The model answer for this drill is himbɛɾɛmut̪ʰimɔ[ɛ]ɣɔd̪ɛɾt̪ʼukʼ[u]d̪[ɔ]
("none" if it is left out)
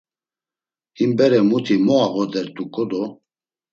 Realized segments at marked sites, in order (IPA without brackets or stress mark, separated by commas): a, ɔ, ɔ